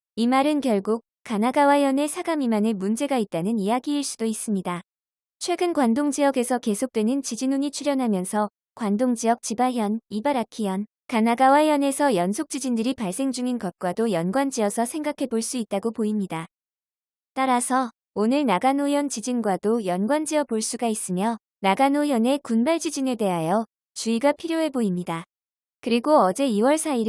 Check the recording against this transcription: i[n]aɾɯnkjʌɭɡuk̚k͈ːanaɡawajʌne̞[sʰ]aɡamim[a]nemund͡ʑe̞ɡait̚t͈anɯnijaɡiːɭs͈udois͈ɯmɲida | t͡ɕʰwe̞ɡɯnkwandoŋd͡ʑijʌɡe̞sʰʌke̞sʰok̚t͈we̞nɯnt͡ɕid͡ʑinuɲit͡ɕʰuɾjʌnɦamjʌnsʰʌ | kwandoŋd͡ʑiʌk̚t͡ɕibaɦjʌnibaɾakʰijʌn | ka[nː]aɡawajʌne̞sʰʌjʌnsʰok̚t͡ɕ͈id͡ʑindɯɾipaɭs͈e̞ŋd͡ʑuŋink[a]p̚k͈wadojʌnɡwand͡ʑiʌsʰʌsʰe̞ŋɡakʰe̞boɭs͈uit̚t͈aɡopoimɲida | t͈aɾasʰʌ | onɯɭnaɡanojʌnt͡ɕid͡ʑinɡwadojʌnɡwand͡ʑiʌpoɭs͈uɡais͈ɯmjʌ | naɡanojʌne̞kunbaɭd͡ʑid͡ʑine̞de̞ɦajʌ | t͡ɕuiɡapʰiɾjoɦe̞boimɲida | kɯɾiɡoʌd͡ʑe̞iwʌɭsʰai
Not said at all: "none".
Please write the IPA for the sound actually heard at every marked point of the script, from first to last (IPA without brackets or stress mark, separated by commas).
m, sʰ, a, n, ʌ